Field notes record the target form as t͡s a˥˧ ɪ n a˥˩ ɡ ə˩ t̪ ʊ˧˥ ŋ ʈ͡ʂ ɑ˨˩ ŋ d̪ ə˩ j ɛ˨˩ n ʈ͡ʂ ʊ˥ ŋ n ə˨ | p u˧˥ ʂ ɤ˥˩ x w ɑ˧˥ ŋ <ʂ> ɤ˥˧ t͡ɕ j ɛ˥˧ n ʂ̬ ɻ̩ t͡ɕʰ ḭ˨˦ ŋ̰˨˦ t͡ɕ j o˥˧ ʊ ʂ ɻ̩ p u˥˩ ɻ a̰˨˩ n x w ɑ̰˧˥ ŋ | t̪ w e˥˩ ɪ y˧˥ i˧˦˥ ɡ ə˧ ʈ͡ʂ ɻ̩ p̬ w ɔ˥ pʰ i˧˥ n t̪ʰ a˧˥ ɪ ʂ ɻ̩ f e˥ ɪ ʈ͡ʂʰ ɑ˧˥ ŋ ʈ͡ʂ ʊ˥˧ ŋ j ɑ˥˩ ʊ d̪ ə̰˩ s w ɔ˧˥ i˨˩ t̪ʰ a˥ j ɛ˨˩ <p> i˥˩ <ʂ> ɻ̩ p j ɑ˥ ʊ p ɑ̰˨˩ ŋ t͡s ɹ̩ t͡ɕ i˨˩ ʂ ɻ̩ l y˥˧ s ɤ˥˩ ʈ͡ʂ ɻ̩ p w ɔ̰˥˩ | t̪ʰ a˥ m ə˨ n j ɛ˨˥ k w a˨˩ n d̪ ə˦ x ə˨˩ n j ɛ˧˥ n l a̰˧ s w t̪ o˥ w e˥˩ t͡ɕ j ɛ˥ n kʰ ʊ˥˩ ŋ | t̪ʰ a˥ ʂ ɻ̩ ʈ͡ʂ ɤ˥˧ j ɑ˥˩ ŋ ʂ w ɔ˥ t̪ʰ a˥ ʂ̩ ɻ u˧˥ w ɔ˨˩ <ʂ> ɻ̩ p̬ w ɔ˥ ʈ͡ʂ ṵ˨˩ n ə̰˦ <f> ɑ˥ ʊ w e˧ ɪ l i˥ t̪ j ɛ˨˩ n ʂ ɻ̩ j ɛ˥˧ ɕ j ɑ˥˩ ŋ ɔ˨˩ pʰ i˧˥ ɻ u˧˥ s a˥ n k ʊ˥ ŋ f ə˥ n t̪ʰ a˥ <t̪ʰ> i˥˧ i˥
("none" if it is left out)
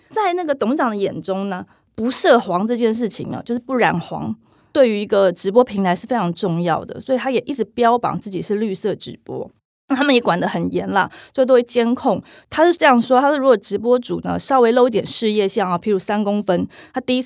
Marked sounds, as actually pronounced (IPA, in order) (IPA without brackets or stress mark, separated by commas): ʈ͡ʂ, ʔ, ʈ͡ʂ, ʈ͡ʂ, ʂ, t̪